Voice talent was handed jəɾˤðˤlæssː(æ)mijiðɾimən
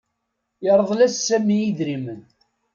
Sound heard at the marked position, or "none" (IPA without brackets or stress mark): æ